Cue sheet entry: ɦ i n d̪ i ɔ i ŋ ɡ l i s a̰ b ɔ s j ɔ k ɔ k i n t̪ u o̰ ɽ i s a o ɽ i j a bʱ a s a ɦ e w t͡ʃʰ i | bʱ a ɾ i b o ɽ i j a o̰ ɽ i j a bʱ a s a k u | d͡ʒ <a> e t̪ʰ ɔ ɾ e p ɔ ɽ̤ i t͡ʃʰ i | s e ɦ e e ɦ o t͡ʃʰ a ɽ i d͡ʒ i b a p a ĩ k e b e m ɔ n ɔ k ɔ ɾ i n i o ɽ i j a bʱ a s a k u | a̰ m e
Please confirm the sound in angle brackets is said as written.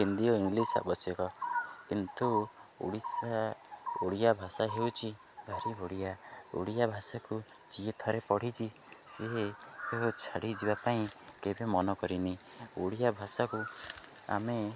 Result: no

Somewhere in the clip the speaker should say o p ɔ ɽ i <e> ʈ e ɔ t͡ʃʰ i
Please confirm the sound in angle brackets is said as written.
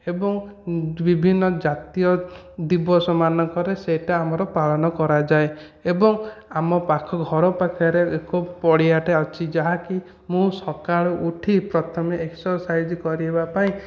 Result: no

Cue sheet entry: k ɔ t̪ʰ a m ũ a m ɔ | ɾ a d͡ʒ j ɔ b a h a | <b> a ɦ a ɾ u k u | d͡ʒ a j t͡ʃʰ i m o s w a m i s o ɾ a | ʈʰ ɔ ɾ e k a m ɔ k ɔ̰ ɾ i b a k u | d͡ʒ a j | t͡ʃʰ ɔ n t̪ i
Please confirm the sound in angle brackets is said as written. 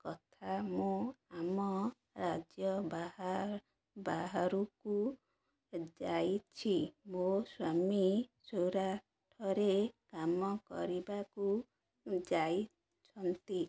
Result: yes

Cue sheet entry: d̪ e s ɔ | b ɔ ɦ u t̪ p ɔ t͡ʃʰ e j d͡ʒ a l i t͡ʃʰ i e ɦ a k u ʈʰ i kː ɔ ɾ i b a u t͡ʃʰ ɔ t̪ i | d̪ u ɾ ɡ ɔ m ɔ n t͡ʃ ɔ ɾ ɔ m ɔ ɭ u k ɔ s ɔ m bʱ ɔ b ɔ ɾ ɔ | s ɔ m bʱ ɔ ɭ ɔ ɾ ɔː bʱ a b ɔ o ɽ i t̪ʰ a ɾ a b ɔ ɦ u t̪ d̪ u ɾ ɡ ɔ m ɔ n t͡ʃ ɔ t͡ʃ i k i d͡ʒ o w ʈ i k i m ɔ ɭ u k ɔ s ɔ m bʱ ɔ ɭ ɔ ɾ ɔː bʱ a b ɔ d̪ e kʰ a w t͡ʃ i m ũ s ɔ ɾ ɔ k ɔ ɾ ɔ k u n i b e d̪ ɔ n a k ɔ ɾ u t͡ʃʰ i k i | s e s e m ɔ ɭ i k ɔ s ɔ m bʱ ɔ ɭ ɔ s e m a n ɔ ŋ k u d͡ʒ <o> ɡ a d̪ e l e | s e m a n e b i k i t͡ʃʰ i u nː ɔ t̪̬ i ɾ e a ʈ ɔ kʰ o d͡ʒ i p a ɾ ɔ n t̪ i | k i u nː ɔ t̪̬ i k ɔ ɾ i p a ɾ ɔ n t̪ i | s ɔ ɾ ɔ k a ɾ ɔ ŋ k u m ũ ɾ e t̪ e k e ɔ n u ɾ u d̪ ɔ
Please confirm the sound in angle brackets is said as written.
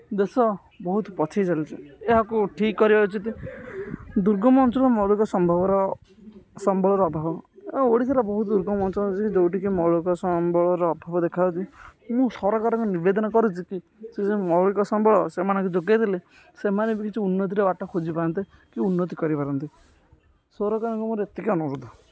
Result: yes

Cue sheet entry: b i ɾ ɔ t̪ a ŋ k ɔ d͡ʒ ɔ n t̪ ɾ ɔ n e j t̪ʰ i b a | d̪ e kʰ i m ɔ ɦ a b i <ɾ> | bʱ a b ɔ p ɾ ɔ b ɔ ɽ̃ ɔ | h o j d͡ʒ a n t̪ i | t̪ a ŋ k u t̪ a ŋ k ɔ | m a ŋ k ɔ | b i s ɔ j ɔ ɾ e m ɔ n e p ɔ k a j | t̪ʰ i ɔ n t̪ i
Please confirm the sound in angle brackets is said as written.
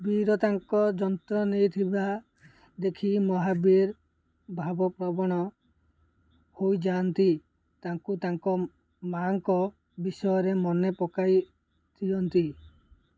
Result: yes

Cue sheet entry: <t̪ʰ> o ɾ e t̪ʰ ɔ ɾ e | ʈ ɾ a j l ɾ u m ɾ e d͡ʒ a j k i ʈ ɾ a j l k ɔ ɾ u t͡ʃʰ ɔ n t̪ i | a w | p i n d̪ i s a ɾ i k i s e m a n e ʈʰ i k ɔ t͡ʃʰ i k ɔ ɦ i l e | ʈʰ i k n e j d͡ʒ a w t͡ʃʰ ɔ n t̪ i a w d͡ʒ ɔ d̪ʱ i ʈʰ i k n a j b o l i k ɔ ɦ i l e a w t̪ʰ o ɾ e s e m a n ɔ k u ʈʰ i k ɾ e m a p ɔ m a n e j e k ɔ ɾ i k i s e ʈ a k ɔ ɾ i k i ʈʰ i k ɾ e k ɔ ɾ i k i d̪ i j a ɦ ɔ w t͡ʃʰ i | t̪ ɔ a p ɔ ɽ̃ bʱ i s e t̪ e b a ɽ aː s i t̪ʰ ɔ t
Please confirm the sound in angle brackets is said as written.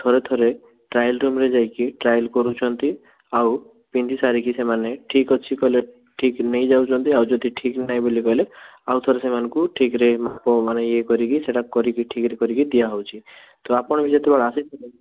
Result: yes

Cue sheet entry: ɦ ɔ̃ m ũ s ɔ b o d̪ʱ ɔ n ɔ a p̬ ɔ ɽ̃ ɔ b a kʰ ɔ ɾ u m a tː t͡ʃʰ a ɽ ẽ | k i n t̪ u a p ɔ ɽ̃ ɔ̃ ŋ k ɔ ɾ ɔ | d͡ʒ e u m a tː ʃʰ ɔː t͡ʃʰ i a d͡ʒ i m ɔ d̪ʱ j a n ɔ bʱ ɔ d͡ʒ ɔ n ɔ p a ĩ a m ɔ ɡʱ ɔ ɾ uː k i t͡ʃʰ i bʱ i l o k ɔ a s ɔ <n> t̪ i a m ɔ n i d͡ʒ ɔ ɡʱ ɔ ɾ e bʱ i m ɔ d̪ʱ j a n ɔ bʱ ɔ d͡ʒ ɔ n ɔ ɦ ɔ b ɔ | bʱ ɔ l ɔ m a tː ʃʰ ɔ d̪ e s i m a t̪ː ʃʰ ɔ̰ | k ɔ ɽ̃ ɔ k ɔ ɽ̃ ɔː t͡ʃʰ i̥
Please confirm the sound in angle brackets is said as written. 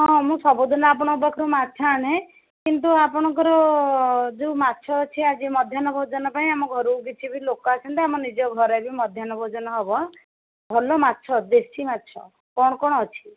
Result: yes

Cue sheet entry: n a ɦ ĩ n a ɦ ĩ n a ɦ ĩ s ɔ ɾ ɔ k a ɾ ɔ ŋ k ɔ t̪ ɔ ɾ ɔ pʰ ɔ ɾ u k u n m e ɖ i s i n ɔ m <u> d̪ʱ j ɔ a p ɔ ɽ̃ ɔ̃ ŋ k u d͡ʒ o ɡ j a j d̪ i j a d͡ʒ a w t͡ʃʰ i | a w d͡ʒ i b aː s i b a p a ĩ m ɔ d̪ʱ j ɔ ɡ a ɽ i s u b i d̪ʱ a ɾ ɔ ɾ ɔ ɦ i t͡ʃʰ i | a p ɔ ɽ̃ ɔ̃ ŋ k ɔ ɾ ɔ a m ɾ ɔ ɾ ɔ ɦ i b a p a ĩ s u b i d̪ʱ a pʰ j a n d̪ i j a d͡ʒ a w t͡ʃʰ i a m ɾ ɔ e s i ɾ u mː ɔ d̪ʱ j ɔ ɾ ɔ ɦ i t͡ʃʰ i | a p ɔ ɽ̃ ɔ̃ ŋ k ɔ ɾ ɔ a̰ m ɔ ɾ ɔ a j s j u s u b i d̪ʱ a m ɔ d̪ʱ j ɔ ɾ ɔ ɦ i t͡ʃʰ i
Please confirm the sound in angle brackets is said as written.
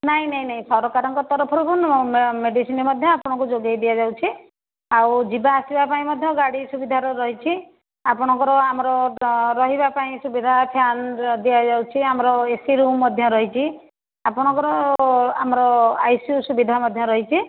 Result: no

